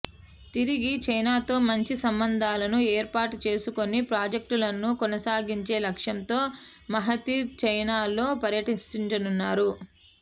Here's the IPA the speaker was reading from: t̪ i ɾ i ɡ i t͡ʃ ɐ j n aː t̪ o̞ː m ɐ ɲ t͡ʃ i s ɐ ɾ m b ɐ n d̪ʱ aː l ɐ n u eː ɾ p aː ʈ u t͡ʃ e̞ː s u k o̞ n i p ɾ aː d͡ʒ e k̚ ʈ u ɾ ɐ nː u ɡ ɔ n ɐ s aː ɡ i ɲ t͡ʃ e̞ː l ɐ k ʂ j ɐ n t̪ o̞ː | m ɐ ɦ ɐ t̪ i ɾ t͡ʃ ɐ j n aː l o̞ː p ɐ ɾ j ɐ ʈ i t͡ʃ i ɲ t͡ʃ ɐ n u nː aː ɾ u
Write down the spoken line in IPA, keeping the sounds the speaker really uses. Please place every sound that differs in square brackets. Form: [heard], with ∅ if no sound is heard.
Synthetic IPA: t̪ i ɾ i ɡ i t͡ʃ ɐ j n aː t̪ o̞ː m ɐ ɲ t͡ʃ i s ɐ [∅] m b ɐ n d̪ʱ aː l ɐ n u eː ɾ p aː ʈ u t͡ʃ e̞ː s u k o̞ n i p ɾ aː d͡ʒ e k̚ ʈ u [l] ɐ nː u [k] ɔ n ɐ s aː ɡ i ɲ t͡ʃ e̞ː l ɐ k ʂ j ɐ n t̪ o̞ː | m ɐ ɦ ɐ t̪ i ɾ t͡ʃ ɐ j n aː l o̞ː p ɐ ɾ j ɐ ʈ i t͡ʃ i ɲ t͡ʃ ɐ n u nː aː ɾ u